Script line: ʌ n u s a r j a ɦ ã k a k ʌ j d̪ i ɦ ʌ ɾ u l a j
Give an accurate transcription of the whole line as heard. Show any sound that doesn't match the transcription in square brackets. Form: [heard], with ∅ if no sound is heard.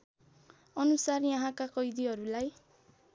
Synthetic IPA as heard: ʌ n u s a r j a ɦ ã k a k ʌ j d̪ i ɦ ʌ ɾ u l a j